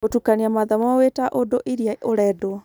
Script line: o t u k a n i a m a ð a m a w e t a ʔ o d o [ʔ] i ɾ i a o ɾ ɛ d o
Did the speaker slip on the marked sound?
no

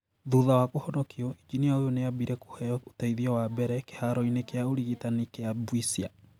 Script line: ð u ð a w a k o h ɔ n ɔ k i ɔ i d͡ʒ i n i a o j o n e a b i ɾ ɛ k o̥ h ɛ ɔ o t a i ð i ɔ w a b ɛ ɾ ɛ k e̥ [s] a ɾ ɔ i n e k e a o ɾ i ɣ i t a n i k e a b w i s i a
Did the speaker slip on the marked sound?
yes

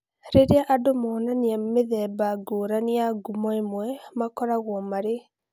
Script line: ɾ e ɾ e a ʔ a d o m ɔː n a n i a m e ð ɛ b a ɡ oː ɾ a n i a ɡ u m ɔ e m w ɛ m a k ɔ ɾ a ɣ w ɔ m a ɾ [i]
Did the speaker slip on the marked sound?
yes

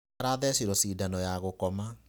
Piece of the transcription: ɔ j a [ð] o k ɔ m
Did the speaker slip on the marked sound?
yes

